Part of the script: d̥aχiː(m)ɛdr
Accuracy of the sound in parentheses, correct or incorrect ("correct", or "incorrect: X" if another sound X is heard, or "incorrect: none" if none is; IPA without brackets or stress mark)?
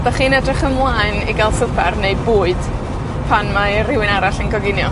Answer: incorrect: n